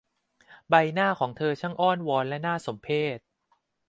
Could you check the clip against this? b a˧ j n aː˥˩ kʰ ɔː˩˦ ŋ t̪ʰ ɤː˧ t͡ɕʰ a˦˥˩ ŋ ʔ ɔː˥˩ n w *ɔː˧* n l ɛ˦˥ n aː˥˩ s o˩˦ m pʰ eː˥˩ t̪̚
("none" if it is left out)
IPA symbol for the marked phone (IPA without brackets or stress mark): ɔː˧